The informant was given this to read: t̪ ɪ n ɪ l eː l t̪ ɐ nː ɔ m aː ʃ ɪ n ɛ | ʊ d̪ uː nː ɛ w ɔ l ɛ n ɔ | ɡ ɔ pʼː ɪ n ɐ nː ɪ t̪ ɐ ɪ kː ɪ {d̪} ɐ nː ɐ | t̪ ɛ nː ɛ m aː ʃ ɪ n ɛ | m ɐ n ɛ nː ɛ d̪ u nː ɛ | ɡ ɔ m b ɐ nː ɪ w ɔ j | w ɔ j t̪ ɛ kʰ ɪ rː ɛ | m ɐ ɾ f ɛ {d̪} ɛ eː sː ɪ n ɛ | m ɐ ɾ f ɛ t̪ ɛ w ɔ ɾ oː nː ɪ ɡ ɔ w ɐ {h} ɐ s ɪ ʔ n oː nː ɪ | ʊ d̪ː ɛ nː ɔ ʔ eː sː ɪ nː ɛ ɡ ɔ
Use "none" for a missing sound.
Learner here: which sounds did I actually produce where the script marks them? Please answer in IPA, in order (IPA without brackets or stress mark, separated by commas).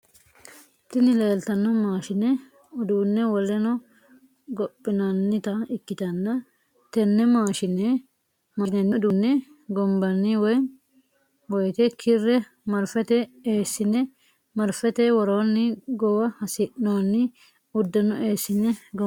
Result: t̪, t̪, h